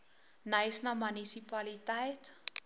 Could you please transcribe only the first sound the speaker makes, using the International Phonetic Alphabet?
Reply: n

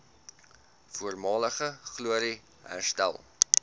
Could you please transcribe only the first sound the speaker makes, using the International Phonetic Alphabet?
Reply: f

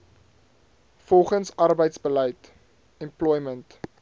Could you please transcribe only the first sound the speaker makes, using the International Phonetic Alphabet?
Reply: f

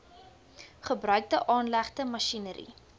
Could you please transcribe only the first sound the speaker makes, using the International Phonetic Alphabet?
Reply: χ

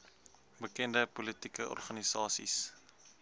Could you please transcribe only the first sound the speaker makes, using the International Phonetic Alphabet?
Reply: b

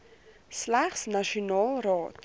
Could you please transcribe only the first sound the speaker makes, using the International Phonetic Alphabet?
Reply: s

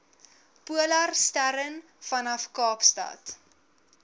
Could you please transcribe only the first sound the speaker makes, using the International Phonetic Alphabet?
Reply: p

